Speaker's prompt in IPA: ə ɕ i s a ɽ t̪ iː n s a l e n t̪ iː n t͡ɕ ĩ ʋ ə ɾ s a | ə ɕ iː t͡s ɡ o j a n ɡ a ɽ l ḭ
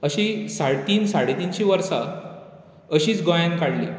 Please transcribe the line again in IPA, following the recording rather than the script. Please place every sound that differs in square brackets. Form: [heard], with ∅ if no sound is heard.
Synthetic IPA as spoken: ə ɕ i s a ɽ t̪ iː n s a [ɽ] e [∅] t̪ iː n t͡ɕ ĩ ʋ ə ɾ s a | ə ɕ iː t͡s ɡ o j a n [k] a ɽ l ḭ